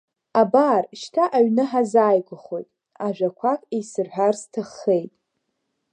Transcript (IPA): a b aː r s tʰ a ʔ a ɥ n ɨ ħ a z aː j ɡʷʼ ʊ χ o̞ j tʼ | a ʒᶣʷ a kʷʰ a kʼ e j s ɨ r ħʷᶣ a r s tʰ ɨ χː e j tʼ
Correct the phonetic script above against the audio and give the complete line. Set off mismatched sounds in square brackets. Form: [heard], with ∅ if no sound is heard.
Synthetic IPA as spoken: a b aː r [ʃ] tʰ a ʔ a ɥ n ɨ ħ a z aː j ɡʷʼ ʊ χ o̞ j tʼ | a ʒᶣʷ a kʷʰ a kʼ e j s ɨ r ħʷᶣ a r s tʰ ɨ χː e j tʼ